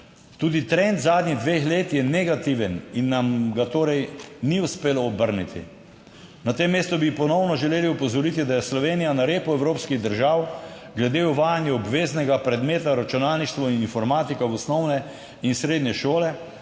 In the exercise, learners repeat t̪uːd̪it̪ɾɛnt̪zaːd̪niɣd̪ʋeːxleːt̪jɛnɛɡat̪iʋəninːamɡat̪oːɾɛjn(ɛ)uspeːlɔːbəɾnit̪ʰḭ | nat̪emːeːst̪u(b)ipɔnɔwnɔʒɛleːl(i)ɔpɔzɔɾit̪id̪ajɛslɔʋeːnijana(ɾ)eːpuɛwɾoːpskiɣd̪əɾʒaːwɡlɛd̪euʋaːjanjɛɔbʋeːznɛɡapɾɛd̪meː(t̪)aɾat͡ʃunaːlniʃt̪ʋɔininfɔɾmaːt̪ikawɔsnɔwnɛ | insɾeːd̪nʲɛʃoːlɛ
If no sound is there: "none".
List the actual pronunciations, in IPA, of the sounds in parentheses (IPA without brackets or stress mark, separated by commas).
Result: i, b, i, ɾ, t̪